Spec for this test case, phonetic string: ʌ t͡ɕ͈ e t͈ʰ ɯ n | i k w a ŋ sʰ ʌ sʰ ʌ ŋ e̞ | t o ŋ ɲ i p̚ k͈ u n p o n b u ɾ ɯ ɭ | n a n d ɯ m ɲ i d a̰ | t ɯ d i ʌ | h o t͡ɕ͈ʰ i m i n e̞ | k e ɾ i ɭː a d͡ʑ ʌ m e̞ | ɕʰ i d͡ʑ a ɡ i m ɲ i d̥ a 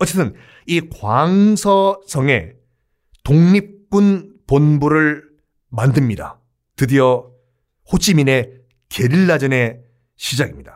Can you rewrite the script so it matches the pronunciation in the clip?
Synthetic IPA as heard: ʌ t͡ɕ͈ e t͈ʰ ɯ n | i k w a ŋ sʰ ʌ sʰ ʌ ŋ e̞ | t o ŋ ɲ i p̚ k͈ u n p o n b u ɾ ɯ ɭ | m a n d ɯ m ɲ i d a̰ | t ɯ d i ʌ | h o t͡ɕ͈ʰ i m i n e̞ | k e ɾ i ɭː a d͡ʑ ʌ n e̞ | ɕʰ i d͡ʑ a ɡ i m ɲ i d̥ a